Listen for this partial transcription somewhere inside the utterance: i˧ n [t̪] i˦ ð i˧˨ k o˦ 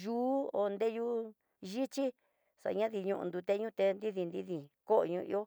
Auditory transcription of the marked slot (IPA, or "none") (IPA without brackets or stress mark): d̪